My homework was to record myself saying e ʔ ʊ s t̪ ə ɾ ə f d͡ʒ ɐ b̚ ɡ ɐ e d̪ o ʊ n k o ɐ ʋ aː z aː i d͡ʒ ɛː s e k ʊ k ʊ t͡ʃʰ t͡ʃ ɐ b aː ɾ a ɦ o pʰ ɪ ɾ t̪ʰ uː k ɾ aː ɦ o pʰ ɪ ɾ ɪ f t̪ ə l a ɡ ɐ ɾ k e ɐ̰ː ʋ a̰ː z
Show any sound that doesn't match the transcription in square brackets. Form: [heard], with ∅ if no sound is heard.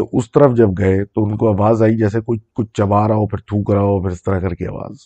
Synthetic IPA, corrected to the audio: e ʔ ʊ s t̪ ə ɾ ə f d͡ʒ ɐ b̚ ɡ ɐ e [t̪] o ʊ n k o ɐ ʋ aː z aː i d͡ʒ ɛː s e k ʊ k ʊ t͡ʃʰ t͡ʃ ɐ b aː ɾ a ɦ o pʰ ɪ ɾ t̪ʰ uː k ɾ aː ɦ o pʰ ɪ ɾ ɪ [s] t̪ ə [ɾ] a [k] ɐ ɾ k e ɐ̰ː ʋ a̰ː z